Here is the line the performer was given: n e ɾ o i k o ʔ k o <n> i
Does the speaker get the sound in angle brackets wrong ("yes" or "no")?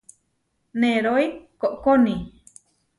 no